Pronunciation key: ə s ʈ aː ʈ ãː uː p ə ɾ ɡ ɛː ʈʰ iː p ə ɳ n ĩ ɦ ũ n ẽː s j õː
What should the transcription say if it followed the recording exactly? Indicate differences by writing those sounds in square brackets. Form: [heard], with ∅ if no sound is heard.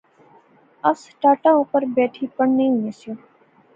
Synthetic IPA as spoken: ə s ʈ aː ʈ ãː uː p ə ɾ [b] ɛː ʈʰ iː p ə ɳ n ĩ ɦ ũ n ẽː s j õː